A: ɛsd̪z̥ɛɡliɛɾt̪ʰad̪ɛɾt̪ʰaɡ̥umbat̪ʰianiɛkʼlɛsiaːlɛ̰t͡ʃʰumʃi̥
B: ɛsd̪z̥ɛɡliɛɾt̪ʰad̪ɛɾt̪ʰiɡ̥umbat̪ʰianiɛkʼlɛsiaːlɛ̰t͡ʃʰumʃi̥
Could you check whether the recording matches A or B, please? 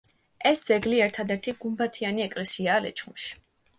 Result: B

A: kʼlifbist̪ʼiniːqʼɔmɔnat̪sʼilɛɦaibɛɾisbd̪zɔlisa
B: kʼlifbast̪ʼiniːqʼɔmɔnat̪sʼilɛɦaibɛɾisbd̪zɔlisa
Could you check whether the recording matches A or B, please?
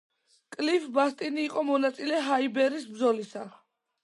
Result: B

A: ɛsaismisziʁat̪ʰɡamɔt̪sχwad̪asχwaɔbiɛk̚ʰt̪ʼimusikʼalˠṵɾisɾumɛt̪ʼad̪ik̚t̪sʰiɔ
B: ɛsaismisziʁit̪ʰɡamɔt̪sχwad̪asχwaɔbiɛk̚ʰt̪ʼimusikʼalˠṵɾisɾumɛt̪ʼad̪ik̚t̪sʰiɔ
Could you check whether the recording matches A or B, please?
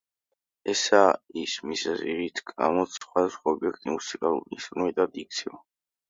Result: B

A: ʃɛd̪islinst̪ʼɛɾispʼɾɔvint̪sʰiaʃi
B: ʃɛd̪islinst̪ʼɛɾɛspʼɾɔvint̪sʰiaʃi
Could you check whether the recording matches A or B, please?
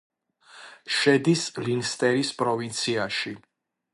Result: A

